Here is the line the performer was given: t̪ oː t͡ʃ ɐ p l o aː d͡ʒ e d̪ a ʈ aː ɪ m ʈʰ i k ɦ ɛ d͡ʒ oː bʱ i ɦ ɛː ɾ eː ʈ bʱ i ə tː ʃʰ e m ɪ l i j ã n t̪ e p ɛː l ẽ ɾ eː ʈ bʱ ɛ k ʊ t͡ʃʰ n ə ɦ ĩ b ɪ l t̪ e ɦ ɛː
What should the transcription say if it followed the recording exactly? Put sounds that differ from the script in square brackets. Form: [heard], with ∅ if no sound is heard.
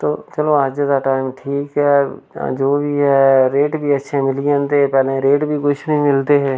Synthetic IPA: t̪ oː t͡ʃ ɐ [∅] l o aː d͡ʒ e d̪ a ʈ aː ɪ m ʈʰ [iː] k ɦ ɛ d͡ʒ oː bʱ i ɦ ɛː ɾ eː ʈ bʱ i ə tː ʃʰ e m ɪ l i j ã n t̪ e p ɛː l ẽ ɾ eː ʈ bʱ [i] k ʊ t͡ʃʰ n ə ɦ ĩ [m] ɪ l t̪ e ɦ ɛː